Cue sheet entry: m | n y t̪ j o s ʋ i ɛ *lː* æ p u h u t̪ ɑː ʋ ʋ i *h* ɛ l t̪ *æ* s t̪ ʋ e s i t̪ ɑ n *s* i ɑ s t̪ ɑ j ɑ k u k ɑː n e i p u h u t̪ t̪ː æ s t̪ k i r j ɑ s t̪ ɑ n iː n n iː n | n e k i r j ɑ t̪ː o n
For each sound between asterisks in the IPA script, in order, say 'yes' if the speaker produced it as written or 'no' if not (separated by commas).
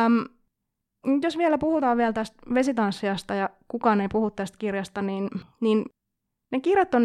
no, no, yes, no